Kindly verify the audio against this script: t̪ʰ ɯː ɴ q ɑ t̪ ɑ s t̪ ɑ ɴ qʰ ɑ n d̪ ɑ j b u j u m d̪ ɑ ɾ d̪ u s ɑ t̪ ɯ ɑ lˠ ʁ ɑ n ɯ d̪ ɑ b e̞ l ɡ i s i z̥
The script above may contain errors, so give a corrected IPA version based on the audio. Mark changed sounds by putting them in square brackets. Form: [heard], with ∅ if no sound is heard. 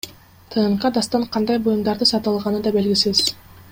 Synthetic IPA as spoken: t̪ʰ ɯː ɴ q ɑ [d̪] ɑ s t̪ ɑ ɴ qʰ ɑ n d̪ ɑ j b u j u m d̪ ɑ ɾ d̪ [ɯ] s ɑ t̪ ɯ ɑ lˠ ʁ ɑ n ɯ d̪ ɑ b e̞ l ɡ i s i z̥